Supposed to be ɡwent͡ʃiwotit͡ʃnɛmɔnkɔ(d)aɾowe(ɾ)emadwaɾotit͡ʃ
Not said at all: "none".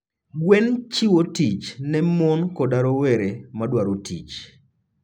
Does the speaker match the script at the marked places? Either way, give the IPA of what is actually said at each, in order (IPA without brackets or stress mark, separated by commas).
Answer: d, ɾ